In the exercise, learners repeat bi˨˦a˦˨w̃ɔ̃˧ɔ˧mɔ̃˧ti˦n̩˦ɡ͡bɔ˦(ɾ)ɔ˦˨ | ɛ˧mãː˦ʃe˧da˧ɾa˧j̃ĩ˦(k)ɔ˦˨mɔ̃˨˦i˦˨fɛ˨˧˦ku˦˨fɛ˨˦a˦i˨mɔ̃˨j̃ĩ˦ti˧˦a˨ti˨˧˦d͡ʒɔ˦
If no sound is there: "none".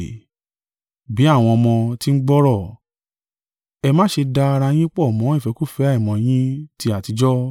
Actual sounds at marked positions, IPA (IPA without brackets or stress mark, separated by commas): ɾ, k͡p